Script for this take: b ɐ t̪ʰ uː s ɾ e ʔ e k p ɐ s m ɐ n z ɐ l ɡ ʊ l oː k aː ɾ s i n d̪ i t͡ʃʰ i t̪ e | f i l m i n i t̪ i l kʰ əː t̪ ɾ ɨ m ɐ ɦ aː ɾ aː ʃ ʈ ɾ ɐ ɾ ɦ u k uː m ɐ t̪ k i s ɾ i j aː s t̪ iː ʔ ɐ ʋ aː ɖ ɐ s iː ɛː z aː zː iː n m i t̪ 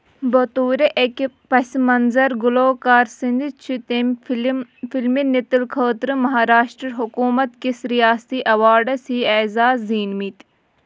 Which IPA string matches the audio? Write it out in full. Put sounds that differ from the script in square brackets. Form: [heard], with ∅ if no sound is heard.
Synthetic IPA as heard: b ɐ [t̪] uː [∅] ɾ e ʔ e k p ɐ s m ɐ n z ɐ [ɾ] ɡ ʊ l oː k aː ɾ s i n d̪ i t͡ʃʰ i t̪ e | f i l m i n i t̪ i l kʰ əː t̪ ɾ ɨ m ɐ ɦ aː ɾ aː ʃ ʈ ɾ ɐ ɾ ɦ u k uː m ɐ t̪ k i s ɾ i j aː s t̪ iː ʔ ɐ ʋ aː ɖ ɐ s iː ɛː z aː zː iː n m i t̪